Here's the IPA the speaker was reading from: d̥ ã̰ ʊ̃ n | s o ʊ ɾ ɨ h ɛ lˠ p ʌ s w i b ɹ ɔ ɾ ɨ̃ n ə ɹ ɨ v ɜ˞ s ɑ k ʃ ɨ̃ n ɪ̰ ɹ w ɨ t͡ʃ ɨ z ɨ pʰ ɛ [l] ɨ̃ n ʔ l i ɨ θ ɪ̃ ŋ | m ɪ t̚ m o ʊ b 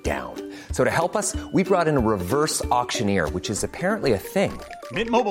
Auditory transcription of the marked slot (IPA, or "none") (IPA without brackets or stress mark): ɹ